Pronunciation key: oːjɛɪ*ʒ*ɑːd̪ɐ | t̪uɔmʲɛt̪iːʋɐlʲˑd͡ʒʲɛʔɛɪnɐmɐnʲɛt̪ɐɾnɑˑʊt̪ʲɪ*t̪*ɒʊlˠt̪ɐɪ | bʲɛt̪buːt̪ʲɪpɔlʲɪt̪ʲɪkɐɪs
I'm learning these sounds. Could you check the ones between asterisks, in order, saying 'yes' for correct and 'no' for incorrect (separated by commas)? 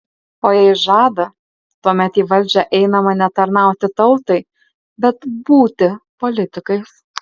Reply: yes, yes